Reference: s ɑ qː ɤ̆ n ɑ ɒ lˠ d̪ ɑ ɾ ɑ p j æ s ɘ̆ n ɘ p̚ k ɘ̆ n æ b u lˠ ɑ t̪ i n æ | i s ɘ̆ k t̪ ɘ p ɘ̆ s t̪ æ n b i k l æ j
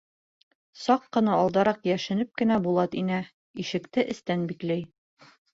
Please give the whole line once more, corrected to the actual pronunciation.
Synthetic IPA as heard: s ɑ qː ɤ̆ n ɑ ɒ lˠ d̪ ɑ ɾ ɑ q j æ ʃ ɘ̆ n ɘ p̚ k ɘ̆ n æ b u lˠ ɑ t̪ i n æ | i ʃ ɘ̆ k t̪ ɘ ʔ ɘ̆ s t̪ æ n b i k l æ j